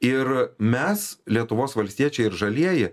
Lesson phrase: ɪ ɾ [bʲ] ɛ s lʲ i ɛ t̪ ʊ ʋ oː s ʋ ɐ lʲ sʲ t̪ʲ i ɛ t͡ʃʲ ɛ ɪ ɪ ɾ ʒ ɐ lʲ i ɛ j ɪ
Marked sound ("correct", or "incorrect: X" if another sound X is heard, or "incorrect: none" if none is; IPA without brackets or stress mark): incorrect: mʲ